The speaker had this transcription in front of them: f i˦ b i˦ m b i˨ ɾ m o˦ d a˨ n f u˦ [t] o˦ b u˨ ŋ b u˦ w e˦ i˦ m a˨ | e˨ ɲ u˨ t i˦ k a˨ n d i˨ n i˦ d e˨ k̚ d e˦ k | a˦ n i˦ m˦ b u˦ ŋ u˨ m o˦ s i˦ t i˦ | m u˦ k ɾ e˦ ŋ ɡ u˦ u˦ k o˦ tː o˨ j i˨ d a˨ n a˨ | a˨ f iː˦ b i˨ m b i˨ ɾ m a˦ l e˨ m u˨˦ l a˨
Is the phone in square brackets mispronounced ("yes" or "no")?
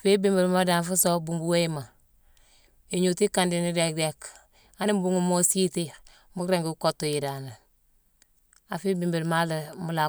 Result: yes